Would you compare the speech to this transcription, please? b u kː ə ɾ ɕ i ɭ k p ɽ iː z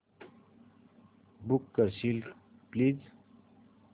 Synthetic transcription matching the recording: b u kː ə ɾ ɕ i l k p l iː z